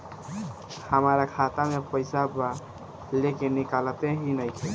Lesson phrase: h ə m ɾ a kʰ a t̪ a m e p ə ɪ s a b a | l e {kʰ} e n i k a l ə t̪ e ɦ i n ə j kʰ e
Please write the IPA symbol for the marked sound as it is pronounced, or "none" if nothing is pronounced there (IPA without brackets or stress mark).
k